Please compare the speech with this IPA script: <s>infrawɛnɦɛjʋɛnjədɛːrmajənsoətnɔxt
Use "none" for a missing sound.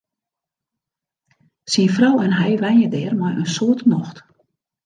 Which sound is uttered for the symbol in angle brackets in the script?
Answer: s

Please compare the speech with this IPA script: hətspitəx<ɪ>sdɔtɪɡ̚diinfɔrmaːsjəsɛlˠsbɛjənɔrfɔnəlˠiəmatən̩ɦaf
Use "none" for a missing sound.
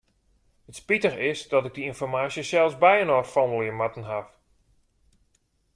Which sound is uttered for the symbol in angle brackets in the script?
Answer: ɪ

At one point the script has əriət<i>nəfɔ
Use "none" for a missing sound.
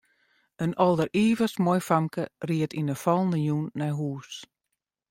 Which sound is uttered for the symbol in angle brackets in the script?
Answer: i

